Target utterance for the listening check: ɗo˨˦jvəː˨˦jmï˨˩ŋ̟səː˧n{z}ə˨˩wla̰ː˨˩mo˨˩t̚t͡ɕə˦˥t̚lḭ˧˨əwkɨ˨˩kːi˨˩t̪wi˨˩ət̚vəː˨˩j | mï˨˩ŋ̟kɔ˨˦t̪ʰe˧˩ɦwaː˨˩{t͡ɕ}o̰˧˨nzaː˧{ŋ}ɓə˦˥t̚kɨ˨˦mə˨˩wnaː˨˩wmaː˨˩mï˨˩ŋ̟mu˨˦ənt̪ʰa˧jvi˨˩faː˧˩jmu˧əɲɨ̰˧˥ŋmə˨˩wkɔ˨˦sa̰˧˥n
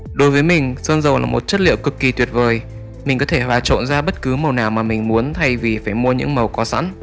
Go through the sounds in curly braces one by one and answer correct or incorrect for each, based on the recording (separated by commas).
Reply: correct, correct, incorrect